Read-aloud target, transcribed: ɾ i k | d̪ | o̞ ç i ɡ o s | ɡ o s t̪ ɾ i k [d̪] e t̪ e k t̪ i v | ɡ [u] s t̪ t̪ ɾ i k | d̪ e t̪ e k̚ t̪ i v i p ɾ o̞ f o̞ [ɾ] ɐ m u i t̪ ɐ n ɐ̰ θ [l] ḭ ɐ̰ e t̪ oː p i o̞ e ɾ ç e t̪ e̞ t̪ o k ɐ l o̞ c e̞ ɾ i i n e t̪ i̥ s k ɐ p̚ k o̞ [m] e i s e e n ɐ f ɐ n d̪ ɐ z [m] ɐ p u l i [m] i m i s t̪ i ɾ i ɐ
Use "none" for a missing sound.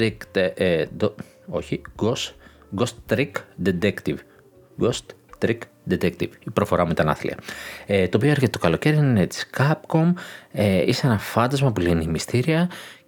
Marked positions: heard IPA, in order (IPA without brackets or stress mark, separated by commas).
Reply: d̪, o, ɾ, l, m, m, n